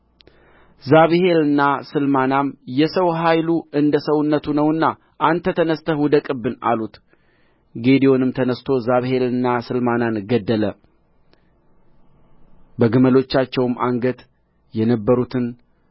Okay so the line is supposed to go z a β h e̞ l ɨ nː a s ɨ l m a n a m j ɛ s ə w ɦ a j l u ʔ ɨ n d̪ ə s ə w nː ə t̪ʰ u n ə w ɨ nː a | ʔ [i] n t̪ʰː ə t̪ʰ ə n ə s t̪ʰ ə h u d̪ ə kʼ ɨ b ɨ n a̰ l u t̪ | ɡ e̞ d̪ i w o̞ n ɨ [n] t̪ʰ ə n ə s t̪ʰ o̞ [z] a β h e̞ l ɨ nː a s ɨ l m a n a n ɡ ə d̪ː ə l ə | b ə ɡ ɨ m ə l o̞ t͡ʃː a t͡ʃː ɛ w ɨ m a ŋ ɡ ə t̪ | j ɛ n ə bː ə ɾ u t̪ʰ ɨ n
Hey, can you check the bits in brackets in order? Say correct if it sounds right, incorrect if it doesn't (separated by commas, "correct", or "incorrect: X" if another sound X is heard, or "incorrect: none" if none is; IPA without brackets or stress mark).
incorrect: a, incorrect: m, correct